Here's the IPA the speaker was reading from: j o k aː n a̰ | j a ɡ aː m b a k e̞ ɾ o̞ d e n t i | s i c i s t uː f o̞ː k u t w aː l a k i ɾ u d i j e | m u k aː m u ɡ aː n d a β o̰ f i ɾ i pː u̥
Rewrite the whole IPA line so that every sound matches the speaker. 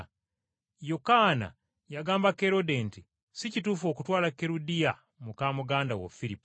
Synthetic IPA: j o k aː n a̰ | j a ɡ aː m b a k e̞ ɾ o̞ d e n t i | s i c i t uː f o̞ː k u t w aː l a k e ɾ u d i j a | m u k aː m u ɡ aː n d a w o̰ f i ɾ i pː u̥